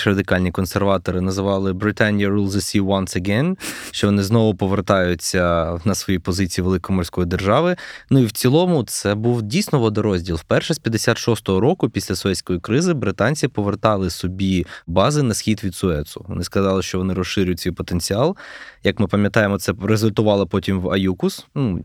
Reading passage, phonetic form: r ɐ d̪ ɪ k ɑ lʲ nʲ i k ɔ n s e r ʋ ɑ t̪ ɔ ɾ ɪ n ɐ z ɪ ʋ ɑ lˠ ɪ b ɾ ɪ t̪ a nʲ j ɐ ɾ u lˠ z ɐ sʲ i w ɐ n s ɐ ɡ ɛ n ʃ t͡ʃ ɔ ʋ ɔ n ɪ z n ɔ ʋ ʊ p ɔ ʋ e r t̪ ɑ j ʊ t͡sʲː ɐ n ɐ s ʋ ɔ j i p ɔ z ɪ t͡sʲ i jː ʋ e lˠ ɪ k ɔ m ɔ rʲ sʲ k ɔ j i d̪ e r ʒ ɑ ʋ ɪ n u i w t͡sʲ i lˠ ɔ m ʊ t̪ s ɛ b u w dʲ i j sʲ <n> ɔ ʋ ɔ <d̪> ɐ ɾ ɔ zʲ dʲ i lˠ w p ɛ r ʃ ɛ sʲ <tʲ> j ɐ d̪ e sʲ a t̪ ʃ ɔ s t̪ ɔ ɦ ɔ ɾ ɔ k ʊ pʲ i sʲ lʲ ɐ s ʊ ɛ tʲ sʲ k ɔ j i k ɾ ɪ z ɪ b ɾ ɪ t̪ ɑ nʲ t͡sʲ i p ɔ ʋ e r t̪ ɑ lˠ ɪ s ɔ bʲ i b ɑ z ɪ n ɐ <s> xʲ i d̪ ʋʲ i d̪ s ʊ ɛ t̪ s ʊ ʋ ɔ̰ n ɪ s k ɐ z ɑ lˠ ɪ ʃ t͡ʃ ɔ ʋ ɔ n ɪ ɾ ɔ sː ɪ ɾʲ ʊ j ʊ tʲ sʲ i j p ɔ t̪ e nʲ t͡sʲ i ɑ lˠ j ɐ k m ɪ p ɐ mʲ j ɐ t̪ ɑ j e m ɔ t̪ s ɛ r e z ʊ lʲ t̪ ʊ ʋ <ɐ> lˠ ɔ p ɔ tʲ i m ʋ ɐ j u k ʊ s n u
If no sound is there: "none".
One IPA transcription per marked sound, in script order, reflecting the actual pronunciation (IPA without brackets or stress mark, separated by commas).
n, d̪, pʲ, s, ɑ